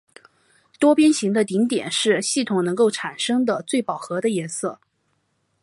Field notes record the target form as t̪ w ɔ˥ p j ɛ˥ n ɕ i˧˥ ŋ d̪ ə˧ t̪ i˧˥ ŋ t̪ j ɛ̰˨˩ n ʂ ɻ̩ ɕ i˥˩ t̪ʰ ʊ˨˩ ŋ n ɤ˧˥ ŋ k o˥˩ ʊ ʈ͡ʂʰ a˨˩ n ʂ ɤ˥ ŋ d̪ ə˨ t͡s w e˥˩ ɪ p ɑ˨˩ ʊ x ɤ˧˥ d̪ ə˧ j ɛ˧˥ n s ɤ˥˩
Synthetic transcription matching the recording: t̪ w ɔ˥ p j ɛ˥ n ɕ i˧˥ ŋ d̪ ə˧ t̪ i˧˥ ŋ t̪ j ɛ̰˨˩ n ʂ ɻ̩ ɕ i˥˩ t̪ʰ ʊ˨˩ ŋ n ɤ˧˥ ŋ k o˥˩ ʊ ʈ͡ʂʰ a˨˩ n ʂ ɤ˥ ŋ d̪ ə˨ t͡s w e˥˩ ɪ p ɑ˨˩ ʊ x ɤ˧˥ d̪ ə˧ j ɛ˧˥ n s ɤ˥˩